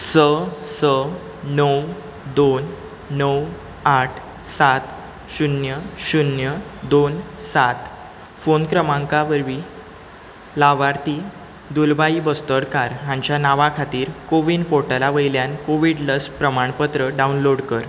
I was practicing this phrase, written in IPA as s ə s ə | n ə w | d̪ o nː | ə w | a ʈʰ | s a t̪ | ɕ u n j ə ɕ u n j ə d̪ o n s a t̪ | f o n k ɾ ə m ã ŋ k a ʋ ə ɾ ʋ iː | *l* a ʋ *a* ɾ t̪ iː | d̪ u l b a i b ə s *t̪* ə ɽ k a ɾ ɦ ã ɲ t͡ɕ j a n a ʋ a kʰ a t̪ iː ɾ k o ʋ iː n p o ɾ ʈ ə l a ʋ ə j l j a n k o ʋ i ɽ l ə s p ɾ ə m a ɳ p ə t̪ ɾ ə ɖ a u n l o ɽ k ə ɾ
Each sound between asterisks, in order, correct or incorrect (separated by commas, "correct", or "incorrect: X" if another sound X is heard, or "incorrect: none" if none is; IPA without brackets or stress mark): correct, correct, correct